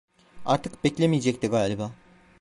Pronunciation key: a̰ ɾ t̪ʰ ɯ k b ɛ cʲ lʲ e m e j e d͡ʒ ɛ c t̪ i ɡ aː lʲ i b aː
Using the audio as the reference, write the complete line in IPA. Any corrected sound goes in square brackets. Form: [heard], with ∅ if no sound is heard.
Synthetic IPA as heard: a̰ ɾ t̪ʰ ɯ k b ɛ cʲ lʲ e m [i] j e d͡ʒ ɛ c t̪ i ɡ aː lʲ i b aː